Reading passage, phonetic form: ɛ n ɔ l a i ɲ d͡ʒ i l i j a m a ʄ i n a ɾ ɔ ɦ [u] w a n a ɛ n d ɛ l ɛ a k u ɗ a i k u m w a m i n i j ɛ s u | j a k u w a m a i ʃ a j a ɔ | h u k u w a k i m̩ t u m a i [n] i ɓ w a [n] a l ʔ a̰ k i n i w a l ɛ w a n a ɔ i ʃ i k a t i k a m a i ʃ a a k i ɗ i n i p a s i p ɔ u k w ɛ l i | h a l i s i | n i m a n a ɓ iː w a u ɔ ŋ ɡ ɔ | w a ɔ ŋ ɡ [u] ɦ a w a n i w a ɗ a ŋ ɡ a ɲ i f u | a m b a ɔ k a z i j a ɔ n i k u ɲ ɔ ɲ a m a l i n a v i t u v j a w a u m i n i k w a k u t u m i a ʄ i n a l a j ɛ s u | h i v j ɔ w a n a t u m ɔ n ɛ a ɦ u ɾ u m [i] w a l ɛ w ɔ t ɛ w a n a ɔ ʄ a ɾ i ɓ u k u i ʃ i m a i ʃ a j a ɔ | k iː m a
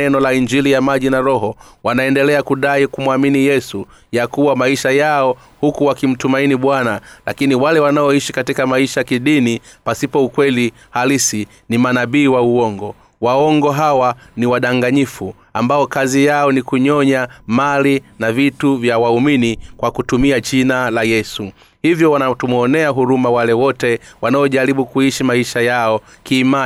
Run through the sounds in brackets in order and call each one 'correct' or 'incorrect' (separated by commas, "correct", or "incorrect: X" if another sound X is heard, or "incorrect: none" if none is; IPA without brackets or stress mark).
incorrect: ɔ, correct, correct, incorrect: ɔ, incorrect: a